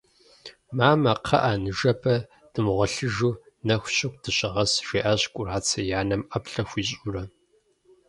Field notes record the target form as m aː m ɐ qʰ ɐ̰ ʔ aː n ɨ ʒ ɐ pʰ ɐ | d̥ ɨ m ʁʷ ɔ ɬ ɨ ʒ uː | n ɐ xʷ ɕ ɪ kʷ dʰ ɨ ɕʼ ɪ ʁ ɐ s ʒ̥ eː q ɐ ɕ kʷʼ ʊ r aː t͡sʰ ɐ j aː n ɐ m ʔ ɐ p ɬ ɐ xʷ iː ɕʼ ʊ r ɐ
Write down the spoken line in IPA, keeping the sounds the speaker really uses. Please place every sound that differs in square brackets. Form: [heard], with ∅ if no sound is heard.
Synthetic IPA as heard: m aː m ɐ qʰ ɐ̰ ʔ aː n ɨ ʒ ɐ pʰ ɐ | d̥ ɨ m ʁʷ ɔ ɬ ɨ ʒ uː | n ɐ xʷ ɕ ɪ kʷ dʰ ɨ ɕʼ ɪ ʁ ɐ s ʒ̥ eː [ʔ] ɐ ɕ kʷʼ ʊ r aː t͡sʰ ɐ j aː n ɐ m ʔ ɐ p ɬ ɐ xʷ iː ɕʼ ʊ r ɐ